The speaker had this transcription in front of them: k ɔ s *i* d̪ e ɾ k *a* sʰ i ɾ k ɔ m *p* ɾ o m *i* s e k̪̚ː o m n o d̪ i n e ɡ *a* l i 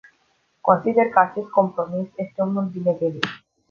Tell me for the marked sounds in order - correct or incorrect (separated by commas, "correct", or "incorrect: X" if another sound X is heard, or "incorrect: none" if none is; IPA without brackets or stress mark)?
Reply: correct, correct, correct, correct, incorrect: e